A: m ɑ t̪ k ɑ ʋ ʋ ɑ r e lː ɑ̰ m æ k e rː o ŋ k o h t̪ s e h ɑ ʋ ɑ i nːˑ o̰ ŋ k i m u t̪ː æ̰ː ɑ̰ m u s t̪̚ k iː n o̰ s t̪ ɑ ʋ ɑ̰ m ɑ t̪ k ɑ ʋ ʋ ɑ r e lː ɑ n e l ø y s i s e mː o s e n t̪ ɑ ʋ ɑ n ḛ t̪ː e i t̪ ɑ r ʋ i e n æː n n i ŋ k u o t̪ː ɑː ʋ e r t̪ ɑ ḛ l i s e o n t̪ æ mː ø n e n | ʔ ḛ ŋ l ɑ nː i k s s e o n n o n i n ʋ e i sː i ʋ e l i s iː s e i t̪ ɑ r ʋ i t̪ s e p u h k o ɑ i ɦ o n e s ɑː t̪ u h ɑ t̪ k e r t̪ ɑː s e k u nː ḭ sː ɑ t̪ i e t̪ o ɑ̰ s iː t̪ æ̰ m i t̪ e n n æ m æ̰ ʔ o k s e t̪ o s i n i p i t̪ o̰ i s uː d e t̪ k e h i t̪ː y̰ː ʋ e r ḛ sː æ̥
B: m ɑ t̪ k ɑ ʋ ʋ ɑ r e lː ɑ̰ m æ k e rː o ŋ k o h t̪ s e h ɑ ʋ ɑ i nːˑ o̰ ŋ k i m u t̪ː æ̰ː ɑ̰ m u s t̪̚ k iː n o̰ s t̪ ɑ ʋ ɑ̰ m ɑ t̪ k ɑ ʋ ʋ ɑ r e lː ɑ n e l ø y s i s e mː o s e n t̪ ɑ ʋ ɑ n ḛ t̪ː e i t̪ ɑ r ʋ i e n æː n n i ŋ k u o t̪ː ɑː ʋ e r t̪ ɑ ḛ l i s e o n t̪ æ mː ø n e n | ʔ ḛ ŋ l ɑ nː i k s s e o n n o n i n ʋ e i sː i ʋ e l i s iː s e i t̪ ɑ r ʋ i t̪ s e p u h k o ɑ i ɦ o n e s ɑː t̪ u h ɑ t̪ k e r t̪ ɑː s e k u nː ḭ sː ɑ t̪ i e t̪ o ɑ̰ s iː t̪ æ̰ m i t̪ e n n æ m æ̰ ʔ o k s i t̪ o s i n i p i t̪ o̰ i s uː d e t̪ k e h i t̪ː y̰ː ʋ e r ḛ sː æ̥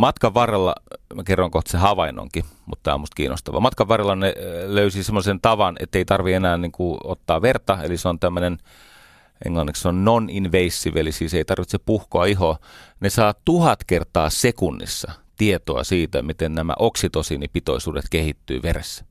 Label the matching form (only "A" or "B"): B